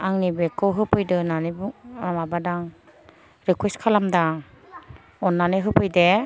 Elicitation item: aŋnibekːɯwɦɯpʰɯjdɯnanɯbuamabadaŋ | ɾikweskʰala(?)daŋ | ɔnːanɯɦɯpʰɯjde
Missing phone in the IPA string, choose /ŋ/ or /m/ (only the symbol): m